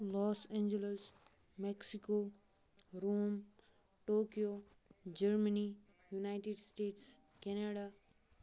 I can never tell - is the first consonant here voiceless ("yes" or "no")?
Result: no